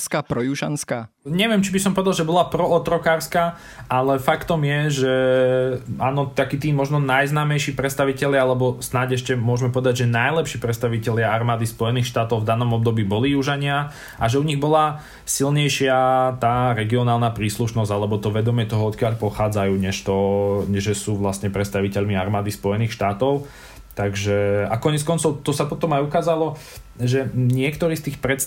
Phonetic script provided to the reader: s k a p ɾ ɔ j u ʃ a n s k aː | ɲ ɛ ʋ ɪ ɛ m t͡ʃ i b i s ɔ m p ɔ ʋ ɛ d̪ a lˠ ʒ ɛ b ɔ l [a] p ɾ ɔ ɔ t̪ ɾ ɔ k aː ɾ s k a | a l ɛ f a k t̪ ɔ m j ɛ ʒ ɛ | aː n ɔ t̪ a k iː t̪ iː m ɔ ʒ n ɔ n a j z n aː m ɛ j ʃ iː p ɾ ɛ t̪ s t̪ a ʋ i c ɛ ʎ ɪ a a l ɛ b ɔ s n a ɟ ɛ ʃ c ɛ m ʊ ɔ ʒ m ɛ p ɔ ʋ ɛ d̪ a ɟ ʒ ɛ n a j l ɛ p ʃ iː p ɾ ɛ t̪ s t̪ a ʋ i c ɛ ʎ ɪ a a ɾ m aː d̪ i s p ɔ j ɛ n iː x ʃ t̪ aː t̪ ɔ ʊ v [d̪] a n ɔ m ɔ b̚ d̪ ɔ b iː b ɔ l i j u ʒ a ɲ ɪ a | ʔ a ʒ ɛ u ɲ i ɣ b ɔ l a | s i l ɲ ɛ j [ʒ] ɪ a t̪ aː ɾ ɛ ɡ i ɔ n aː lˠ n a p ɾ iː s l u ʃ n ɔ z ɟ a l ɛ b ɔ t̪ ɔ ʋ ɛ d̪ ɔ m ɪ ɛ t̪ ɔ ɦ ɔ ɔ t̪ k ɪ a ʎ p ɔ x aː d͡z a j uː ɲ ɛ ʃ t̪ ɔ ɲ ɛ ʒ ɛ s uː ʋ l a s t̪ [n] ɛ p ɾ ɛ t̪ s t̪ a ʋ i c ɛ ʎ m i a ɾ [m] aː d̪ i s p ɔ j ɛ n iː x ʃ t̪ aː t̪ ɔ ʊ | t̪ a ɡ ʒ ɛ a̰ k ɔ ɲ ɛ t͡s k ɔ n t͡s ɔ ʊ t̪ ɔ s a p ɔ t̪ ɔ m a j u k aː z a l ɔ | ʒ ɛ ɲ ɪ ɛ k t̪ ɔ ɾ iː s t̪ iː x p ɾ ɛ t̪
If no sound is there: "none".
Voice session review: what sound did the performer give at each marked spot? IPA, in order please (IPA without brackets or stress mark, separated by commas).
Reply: a, d̪, ʃ, ɲ, m